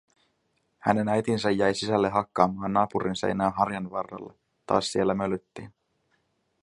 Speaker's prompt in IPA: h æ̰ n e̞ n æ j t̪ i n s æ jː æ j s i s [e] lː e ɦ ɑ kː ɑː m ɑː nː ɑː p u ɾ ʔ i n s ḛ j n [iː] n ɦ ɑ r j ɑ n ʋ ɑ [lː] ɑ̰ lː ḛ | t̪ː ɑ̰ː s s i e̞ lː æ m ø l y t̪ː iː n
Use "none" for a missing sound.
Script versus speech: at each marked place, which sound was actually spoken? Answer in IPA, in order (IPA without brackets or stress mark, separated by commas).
æ, æː, rː